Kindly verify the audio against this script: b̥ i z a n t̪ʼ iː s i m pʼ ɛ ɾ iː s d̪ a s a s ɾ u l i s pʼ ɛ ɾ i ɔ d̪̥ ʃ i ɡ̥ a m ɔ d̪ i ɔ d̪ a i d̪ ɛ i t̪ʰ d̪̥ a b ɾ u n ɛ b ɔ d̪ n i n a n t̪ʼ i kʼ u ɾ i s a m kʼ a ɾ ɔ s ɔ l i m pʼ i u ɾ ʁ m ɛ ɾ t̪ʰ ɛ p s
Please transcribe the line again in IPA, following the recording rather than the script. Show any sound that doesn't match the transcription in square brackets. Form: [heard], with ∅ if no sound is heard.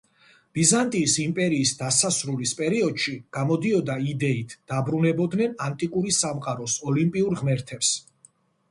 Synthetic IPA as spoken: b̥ i z a n t̪ʼ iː s i m pʼ ɛ ɾ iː s d̪ a s a s ɾ u l i s pʼ ɛ ɾ i ɔ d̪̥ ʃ i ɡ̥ a m ɔ d̪ i ɔ d̪ a i d̪ ɛ i t̪ʰ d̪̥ a b ɾ u n ɛ b ɔ d̪ n [ɛ] n a n t̪ʼ i kʼ u ɾ i s a m [qʼ] a ɾ ɔ s ɔ l i m pʼ i u ɾ ʁ m ɛ ɾ t̪ʰ ɛ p s